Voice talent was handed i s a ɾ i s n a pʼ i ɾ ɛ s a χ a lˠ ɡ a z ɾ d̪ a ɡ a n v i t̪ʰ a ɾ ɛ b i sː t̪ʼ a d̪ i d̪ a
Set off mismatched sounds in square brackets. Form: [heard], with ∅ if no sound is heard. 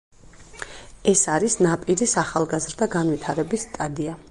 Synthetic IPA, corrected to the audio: [ɛ] s a ɾ i s n a pʼ i ɾ [i] s a χ a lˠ ɡ a z ɾ d̪ a ɡ a n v i t̪ʰ a ɾ ɛ b i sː t̪ʼ a d̪ i [∅] a